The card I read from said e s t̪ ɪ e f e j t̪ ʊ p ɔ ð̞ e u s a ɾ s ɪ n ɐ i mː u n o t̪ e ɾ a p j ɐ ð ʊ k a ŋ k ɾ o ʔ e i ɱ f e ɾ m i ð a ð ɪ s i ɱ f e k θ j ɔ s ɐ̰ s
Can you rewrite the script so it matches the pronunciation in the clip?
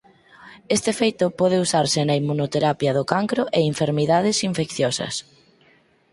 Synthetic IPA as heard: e s t̪ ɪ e f e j t̪ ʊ p ɔ ð̞ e u s a ɾ s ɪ n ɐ i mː u n o t̪ e ɾ a p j ɐ ð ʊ k a ŋ k ɾ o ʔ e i ɱ f e ɾ m i ð a ð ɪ s i ɱ f e k θ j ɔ s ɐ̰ s